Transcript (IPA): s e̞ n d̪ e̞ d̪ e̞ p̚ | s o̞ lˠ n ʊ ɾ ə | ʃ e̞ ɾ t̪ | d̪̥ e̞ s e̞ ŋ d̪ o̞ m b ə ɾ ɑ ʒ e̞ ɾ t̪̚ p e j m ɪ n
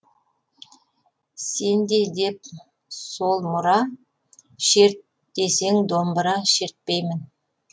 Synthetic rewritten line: s e̞ n d̪ e̞ d̪ e̞ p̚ | s o̞ lˠ m ʊ ɾ ɑ | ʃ e̞ ɾ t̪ | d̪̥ e̞ s e̞ ŋ d̪ o̞ m b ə ɾ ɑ ʃ e̞ ɾ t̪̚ p e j m ɪ n